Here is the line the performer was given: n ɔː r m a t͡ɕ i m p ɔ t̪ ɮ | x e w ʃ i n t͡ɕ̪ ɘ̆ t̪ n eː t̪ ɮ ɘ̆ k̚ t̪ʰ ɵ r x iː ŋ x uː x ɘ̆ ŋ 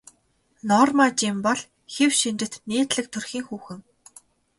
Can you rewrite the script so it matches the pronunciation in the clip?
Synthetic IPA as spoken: n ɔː r m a t͡ɕ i m p ɔ ɮ | x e w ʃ i n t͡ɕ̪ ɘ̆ t̪ n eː t̪ ɮ ɘ̆ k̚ t̪ʰ ɵ r x iː ŋ x uː x ɘ̆ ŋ